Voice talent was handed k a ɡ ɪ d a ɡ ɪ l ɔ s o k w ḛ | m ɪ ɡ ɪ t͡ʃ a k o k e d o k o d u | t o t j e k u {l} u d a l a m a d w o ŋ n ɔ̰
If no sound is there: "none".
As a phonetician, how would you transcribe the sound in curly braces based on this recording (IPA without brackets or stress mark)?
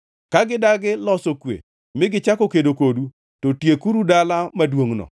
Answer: ɾ